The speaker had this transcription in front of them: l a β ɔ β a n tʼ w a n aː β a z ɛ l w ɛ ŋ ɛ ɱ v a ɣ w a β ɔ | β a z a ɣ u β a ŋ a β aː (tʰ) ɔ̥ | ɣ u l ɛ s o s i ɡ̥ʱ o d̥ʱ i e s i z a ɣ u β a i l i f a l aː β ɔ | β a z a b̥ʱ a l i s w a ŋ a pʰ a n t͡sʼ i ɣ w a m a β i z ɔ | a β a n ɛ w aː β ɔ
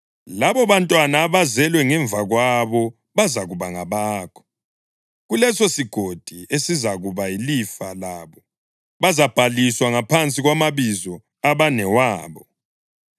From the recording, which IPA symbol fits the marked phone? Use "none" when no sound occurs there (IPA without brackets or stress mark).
kʰ